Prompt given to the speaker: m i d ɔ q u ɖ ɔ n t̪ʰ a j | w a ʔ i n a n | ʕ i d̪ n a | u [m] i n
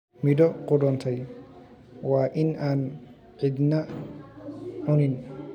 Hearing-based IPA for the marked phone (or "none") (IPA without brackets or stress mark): n